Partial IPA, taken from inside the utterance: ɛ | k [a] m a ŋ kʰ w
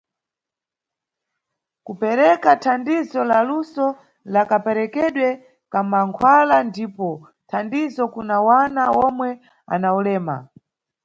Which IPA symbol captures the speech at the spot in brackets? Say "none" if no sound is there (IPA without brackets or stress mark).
a